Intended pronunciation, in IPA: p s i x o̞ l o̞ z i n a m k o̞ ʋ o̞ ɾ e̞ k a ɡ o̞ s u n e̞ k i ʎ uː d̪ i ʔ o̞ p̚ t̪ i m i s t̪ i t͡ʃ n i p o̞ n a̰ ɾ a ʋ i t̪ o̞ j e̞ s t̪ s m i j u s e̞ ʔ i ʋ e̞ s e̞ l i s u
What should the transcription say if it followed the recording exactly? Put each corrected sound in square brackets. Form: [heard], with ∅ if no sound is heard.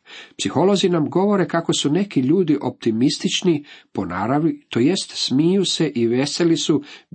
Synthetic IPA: p s i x o̞ l o̞ z i n a m [ɡ] o̞ ʋ o̞ ɾ e̞ k a [k] o̞ s u n e̞ k i ʎ uː d̪ i ʔ o̞ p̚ t̪ i m i s t̪ i t͡ʃ n i p o̞ n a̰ ɾ a ʋ i t̪ o̞ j e̞ s t̪ s m i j u s e̞ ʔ i ʋ e̞ s e̞ l i s u